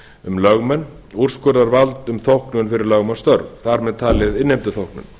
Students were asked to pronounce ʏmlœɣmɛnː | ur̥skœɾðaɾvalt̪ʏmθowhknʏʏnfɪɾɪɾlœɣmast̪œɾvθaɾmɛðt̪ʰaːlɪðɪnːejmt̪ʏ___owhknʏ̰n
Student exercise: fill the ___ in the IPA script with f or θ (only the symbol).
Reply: θ